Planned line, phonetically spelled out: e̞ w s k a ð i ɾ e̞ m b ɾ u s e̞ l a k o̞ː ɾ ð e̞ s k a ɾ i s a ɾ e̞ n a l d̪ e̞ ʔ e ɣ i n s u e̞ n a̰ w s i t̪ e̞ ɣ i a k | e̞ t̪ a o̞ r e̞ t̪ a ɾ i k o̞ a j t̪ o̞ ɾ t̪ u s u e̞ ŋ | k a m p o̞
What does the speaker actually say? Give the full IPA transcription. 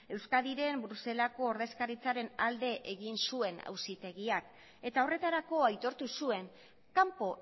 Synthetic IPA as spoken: e̞ w s k a ð i ɾ e̞ m b ɾ u s e̞ l a k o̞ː ɾ ð e̞ s k a ɾ i t͡s a ɾ e̞ n a l d̪ e̞ ʔ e ɣ i n s u e̞ n a̰ w s i t̪ e̞ ɣ i a k | e̞ t̪ a o̞ r e̞ t̪ a ɾ a k o̞ a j t̪ o̞ ɾ t̪ u s u e̞ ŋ | k a m p o̞

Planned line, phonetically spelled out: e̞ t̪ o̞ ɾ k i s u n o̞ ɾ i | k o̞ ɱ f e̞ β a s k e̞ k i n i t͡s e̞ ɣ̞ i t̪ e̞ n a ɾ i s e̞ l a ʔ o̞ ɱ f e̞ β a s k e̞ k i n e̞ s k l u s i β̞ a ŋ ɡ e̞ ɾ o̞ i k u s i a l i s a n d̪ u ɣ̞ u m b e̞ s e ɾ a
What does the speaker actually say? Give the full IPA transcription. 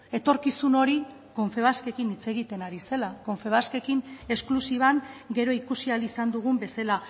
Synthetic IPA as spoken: e̞ t̪ o̞ ɾ k i s u n o̞ ɾ i | k o̞ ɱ f e̞ β a s k e̞ k i n i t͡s e̞ ɣ̞ i t̪ e̞ n a ɾ i s e̞ l a k o̞ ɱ f e̞ β a s k e̞ k i n e̞ s k l u s i β̞ a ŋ ɡ e̞ ɾ o̞ i k u s i a l i s a n d̪ u ɣ̞ u m b e̞ s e l a

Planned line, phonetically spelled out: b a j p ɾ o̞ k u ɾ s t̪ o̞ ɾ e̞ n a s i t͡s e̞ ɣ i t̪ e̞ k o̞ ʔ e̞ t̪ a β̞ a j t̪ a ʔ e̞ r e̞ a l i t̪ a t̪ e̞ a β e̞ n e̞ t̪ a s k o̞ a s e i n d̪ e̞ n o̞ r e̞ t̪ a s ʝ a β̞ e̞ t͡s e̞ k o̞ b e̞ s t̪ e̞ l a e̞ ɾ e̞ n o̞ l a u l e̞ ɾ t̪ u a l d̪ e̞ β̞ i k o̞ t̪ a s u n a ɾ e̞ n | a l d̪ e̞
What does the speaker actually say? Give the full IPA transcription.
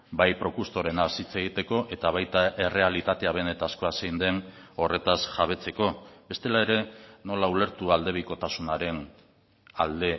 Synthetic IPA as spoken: b a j p ɾ o̞ k u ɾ s t̪ o̞ ɾ e̞ n a s i t͡s e̞ ɣ i t̪ e̞ k o̞ ʔ e̞ t̪ a β̞ a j t̪ a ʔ e̞ r e̞ a l i t̪ a t̪ e̞ a β e̞ n e̞ t̪ a s k o̞ a s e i n d̪ e̞ n o̞ r e̞ t̪ a s ʝ a β̞ e̞ t͡s e̞ k o̞ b e̞ s t̪ e̞ l a e̞ ɾ e̞ n o̞ l a u l e̞ ɾ t̪ u a l d̪ e̞ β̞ i k o̞ t̪ a s u n a ɾ e̞ n | a l d̪ e̞

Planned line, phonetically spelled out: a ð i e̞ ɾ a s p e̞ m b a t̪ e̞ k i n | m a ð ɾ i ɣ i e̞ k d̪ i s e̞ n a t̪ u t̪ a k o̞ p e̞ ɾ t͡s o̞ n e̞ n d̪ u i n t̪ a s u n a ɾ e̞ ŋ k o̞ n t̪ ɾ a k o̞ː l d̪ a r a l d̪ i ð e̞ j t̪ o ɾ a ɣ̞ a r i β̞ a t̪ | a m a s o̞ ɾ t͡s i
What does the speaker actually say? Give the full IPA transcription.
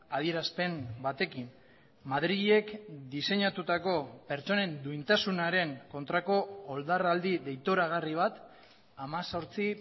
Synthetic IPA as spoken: a ð i e̞ ɾ a s p e̞ m b a t̪ e̞ k i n | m a ð ɾ i ɣ i e̞ k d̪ i s e̞ ɲ a t̪ u t̪ a k o̞ p e̞ ɾ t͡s o̞ n e̞ n d̪ u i n t̪ a s u n a ɾ e̞ ŋ k o̞ n t̪ ɾ a k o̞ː l d̪ a r a l d̪ i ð e̞ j t̪ o ɾ a ɣ̞ a r i β̞ a t̪ | a m a s o̞ ɾ t͡s i

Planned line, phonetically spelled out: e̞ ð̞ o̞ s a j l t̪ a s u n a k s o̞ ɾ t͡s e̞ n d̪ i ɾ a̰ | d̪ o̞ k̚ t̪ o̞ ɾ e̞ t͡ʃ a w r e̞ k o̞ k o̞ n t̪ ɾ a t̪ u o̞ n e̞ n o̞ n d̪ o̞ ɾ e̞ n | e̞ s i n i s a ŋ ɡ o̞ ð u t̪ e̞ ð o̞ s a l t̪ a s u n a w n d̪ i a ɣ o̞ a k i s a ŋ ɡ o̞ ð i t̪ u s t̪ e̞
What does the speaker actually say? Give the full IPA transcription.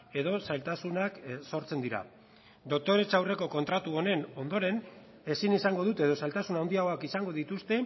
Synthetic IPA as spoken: e̞ ð̞ o̞ s a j l t̪ a s u n a k s o̞ ɾ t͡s e̞ n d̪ i ɾ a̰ | d̪ o̞ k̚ t̪ o̞ ɾ e̞ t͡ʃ a w r e̞ k o̞ k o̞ n t̪ ɾ a t̪ u o̞ n e̞ n o̞ n d̪ o̞ ɾ e̞ n | e̞ s i n i s a ŋ ɡ o̞ ð u t̪ e̞ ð o̞ s a l t̪ a s u n a w n d̪ i a ɣ o̞ a k i s a ŋ ɡ o̞ ð i t̪ u s t̪ e̞

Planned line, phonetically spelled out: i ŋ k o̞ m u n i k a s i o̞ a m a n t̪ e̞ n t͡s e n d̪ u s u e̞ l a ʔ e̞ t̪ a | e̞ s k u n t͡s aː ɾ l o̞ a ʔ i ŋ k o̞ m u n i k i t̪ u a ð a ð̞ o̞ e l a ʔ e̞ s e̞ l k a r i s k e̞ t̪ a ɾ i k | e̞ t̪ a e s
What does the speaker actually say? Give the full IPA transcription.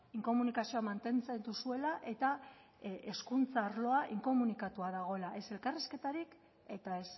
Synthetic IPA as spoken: i ŋ k o̞ m u n i k a s i o̞ a m a n t̪ e̞ n t͡s e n d̪ u s u e̞ l a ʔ e̞ t̪ a | e̞ s k u n t͡s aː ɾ l o̞ a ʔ i ŋ k o̞ m u n i k a t̪ u a ð a ɣ̞ o̞ e l a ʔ e̞ s e̞ l k a r i s k e̞ t̪ a ɾ i k | e̞ t̪ a e s

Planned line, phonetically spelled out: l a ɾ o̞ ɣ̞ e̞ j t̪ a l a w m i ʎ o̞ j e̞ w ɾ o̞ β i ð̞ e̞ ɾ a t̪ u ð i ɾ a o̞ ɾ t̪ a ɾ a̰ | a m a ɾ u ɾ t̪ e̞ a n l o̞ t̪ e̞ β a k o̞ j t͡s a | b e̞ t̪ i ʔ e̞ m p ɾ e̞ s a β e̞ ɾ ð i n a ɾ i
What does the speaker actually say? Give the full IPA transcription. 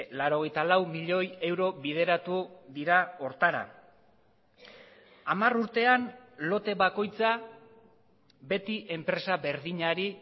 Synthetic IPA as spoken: l a ɾ o̞ ɣ̞ e̞ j t̪ a l a w m i ʎ o̞ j e̞ w ɾ o̞ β i ð̞ e̞ ɾ a t̪ u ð i ɾ a o̞ ɾ t̪ a ɾ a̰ | a m a r u ɾ t̪ e̞ a n l o̞ t̪ e̞ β a k o̞ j t͡s a | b e̞ t̪ i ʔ e̞ m p ɾ e̞ s a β e̞ ɾ ð i ɲ a ɾ i

